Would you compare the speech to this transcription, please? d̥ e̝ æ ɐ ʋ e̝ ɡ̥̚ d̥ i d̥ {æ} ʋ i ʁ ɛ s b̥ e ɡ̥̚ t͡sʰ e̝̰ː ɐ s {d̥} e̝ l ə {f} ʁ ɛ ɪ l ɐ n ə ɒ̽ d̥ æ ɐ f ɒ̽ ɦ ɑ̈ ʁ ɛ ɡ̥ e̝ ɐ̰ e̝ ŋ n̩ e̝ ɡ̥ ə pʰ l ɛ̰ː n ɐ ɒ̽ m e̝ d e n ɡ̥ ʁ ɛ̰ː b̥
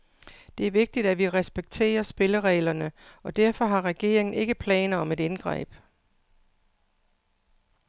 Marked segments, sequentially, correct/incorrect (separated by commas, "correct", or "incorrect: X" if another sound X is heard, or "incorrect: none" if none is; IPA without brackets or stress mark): correct, incorrect: b̥, incorrect: none